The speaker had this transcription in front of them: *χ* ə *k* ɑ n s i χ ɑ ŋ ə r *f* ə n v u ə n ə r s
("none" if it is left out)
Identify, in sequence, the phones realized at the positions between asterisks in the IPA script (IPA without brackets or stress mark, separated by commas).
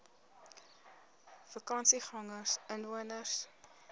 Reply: f, k, s